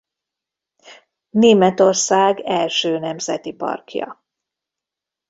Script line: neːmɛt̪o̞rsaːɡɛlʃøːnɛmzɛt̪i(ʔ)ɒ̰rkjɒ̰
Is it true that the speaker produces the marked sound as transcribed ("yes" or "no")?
no